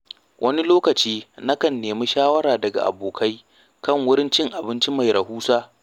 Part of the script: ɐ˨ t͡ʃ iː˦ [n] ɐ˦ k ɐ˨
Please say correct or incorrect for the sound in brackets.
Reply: correct